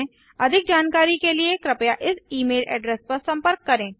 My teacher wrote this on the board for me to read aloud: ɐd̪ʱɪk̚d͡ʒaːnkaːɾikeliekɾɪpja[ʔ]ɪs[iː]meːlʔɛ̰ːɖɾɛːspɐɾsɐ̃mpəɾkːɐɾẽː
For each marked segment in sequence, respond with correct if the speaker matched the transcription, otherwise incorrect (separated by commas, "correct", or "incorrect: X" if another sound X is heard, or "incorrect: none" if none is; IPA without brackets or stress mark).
correct, correct